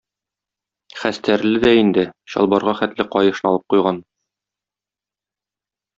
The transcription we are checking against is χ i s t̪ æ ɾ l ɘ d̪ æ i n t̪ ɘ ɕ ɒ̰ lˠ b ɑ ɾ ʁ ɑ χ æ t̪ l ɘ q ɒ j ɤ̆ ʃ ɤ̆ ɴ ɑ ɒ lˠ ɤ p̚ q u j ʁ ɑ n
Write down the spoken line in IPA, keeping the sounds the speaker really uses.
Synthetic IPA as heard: χ æ s t̪ æ ɾ l ɘ d̪ æ i n d̪ ɘ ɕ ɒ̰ lˠ b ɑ ɾ ʁ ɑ χ æ t̪ l ɘ q ɒ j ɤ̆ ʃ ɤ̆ n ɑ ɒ lˠ ɤ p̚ q u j ʁ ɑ n